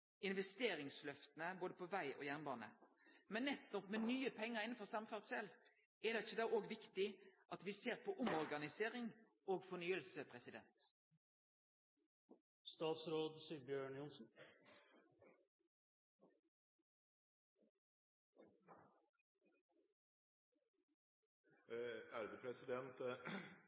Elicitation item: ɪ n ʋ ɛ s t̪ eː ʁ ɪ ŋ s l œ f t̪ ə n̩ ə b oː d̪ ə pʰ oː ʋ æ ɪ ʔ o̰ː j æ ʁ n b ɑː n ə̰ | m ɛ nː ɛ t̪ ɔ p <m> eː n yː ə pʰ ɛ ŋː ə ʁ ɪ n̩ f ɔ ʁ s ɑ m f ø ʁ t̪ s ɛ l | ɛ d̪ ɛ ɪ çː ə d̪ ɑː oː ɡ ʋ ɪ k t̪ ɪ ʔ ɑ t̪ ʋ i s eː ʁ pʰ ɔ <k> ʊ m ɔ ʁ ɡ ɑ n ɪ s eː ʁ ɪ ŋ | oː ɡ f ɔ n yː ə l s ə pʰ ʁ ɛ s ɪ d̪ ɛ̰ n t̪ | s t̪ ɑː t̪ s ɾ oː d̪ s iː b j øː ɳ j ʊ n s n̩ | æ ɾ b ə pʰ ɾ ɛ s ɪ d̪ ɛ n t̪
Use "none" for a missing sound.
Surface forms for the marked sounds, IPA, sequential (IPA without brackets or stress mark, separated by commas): m, ʔ